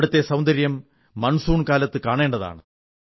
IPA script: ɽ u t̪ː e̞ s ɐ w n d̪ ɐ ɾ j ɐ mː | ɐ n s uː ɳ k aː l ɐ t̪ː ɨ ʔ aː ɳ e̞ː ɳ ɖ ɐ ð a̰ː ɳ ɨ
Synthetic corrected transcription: ɽ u t̪ː e̞ s ɐ w n d̪ ɐ ɾ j ɐ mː | ɐ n s uː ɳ k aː l ɐ t̪ː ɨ k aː ɳ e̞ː ɳ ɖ ɐ ð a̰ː ɳ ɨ

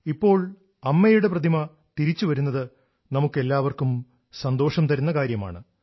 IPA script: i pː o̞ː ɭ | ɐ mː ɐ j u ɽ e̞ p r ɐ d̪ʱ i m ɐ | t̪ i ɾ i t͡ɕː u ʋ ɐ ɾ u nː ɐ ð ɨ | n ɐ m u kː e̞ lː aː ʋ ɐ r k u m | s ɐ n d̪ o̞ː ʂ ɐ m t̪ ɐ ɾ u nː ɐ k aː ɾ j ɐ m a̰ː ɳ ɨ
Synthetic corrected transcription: i pː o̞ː ɭ | ɐ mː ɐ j u ɽ e̞ p r ɐ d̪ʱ i m ɐ | t̪ i ɾ i t͡ɕː u ʋ ɐ ɾ u nː ɐ ð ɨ | n ɐ m u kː e̞ lː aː ʋ ɐ r k u m | s ɐ n d̪ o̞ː ʂ ɐ m t̪ ɐ ɾ u nː ɐ k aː ɾ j ɐ m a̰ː ɳ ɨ

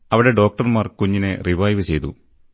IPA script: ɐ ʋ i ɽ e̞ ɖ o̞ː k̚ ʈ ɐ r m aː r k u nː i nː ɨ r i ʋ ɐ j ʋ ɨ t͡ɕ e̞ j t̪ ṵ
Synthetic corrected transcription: ɐ ʋ i ɽ e̞ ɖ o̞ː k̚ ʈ ɐ r m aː r k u ɲː i n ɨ r i ʋ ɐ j ʋ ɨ t͡ɕ e̞ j t̪ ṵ

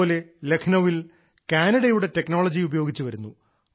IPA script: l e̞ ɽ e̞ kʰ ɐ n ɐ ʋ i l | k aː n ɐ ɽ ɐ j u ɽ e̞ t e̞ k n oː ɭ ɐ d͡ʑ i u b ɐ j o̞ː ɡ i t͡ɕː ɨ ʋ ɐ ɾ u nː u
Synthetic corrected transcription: l e̞ l e̞ kʰ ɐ n ɐ ʋ i l | k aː n ɐ ɽ ɐ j u ɽ e̞ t e̞ k n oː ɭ ɐ d͡ʑ i u b ɐ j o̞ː ɡ i t͡ɕː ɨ ʋ ɐ ɾ u nː u

